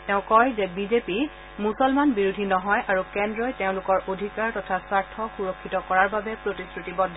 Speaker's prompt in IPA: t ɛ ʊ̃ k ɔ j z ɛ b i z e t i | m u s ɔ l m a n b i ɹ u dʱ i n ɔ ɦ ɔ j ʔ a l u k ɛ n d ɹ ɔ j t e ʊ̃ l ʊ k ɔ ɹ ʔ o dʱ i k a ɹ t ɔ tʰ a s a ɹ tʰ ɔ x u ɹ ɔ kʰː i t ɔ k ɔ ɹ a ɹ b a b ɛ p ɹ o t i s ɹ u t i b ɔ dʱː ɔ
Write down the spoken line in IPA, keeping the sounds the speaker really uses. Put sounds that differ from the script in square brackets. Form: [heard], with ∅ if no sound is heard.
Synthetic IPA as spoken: t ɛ ʊ̃ k ɔ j z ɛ b i z e [p] i | m u s ɔ l m a n b i ɹ u dʱ i n ɔ ɦ ɔ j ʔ a [ɹ] u k ɛ n d ɹ ɔ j t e ʊ̃ l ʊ k ɔ ɹ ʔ o dʱ i k a ɹ t ɔ tʰ a s a ɹ tʰ ɔ x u ɹ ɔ kʰː i t ɔ k ɔ ɹ a ɹ b a b ɛ p ɹ o t i s ɹ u t i b ɔ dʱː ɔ